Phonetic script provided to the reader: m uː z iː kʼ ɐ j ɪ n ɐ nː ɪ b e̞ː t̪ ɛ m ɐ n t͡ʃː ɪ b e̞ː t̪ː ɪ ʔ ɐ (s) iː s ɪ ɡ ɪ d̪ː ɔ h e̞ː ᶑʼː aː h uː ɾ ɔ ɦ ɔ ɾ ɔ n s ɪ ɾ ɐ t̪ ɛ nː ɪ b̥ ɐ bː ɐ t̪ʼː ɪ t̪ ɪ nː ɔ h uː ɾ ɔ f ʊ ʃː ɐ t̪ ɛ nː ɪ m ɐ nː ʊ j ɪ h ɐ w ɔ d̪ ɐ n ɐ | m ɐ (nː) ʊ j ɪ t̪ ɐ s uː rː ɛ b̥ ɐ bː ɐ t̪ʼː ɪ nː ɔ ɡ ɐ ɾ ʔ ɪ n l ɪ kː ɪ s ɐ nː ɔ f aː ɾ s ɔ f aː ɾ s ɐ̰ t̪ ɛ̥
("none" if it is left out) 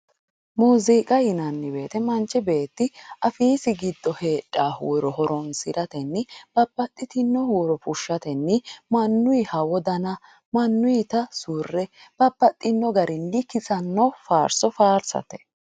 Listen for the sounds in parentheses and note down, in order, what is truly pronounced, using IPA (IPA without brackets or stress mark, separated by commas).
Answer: f, nː